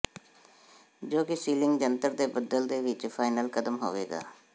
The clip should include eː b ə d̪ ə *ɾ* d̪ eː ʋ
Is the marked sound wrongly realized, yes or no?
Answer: yes